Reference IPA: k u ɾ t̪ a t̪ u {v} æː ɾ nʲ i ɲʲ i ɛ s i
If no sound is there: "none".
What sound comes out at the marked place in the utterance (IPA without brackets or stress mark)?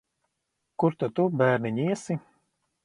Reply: b